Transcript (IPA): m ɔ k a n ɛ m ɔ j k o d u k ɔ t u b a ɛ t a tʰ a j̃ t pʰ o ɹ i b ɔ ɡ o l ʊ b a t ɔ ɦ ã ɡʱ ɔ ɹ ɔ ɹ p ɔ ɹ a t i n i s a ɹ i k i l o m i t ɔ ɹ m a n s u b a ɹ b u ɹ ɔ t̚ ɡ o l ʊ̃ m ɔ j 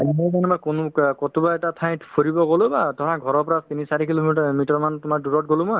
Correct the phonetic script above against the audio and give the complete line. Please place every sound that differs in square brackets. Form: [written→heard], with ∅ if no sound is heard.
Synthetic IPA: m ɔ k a n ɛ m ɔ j k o [d→n] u k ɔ t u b a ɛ t a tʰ a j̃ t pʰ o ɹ i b ɔ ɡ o l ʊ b a t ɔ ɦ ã ɡʱ ɔ ɹ ɔ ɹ p ɔ ɹ a t i n i s a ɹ i k i l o m i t ɔ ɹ m a n [s→t] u [b→m] a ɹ [b→d] u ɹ ɔ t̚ ɡ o l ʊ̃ m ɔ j